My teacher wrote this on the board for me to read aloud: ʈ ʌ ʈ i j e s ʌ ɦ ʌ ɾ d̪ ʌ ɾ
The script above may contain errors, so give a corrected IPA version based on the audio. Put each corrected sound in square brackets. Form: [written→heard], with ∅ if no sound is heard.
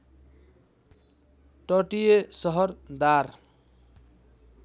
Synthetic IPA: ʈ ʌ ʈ i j e s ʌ ɦ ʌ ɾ d̪ [ʌ→a] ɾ